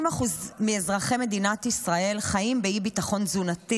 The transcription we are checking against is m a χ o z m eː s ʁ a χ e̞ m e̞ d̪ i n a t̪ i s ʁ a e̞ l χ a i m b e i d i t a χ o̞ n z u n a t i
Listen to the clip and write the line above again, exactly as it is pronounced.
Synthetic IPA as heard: m a χ u z m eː z ʁ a χ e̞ m e̞ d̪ i n a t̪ i s ʁ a e̞ l χ a i m b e i b i t a χ o̞ n z u n a t i